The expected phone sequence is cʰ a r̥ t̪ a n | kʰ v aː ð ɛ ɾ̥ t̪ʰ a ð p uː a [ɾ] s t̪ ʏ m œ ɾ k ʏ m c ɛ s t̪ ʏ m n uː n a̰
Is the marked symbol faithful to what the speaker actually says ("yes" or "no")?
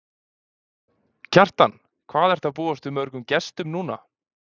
no